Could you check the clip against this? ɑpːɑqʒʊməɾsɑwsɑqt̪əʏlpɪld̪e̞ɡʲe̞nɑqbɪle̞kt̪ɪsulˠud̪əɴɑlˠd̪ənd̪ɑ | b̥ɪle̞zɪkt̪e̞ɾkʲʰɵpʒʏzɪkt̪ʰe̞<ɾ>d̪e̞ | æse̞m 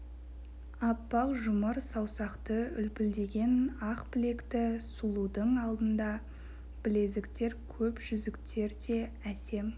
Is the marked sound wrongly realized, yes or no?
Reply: no